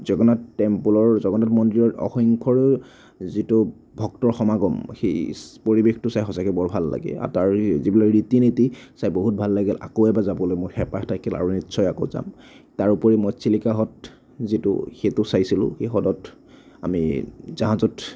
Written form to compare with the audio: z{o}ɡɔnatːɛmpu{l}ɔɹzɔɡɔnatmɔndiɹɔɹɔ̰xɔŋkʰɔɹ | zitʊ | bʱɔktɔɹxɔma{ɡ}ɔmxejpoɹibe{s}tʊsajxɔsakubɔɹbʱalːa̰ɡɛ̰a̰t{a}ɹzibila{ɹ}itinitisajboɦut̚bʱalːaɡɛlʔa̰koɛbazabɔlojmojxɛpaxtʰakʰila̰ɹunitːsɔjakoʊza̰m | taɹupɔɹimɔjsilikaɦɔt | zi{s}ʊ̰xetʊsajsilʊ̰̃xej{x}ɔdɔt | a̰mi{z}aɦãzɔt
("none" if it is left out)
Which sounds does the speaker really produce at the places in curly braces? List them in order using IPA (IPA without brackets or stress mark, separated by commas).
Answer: ɔ, l, ɡ, x, a, ɹ, t, x, z